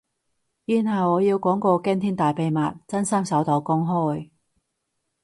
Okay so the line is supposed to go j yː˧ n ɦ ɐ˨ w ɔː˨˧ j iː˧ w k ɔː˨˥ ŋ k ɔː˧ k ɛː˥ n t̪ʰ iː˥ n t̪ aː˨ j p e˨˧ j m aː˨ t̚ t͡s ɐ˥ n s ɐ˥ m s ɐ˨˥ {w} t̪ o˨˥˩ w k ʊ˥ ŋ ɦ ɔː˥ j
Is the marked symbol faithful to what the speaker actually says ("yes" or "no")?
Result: yes